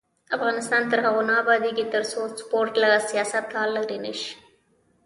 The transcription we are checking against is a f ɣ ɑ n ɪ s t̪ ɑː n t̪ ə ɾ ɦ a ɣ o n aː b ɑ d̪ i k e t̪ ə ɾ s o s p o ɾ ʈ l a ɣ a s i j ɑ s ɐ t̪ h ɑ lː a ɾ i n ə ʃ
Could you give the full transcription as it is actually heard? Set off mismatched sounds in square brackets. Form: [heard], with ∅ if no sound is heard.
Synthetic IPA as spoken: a f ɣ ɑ n ɪ s t̪ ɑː n t̪ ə ɾ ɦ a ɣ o n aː b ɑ d̪ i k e t̪ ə ɾ s o s p o ɾ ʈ l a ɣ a s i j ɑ s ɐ t̪ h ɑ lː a ɾ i n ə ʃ